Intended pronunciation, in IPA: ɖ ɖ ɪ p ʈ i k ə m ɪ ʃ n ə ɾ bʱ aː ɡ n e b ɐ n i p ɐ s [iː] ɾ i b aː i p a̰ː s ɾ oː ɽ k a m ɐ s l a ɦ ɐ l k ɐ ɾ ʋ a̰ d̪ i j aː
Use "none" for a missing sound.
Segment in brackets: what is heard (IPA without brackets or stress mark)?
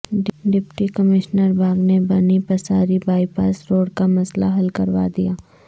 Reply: aː